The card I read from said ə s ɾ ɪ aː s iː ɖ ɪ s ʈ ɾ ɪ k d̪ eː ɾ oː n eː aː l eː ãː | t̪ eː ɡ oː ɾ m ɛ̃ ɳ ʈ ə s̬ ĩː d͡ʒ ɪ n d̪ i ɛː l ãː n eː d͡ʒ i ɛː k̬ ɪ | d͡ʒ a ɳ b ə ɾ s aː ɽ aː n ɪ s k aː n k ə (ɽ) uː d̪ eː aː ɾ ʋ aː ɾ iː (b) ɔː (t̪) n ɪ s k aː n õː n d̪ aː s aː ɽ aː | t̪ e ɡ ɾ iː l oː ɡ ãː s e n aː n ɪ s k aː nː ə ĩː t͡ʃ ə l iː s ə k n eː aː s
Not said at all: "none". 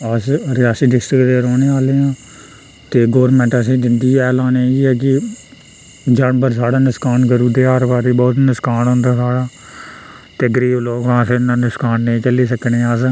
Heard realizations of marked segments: ɾ, b, t̪

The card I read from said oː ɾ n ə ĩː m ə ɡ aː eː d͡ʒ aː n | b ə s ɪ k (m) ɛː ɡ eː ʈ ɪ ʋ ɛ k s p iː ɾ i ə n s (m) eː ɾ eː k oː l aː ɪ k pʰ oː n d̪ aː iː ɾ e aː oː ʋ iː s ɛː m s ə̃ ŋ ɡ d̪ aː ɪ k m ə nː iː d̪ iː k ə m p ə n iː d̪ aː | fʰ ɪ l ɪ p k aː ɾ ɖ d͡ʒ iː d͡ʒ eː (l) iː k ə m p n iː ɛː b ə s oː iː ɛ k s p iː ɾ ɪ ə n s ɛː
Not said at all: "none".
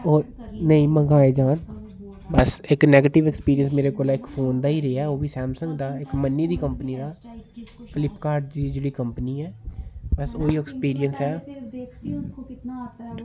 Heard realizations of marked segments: n, m, ɽ

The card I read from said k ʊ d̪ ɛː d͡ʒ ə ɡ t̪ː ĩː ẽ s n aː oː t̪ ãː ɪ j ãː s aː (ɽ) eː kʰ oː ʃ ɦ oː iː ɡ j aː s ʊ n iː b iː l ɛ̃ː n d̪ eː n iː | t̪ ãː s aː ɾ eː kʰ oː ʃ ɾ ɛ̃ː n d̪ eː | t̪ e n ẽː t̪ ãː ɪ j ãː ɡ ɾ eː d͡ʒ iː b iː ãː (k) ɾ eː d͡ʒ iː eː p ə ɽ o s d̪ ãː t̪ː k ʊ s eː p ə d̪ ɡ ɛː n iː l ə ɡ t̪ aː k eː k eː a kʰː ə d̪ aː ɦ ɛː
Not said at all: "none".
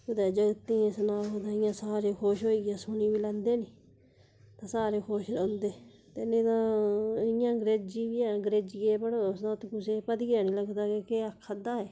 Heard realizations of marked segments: ɾ, ɡ

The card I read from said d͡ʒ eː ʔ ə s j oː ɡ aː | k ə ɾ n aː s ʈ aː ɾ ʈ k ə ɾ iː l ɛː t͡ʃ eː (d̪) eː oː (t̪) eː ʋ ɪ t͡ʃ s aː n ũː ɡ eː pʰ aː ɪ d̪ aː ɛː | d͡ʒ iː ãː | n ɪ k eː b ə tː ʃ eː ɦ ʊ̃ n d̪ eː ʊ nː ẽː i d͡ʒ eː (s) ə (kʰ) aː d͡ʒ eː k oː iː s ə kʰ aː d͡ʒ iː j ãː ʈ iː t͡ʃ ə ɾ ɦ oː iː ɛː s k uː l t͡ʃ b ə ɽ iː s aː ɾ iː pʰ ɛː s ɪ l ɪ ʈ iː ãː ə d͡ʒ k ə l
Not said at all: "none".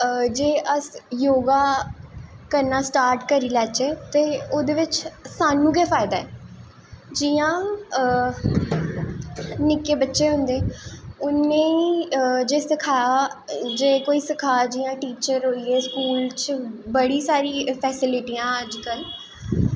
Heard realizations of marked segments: t̪, d̪, s, kʰ

